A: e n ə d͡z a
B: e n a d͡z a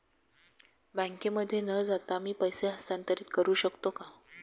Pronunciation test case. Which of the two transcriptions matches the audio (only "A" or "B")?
A